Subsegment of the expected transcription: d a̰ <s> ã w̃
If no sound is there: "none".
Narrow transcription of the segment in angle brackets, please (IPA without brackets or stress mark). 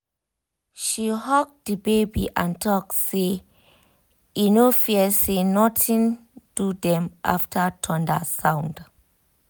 s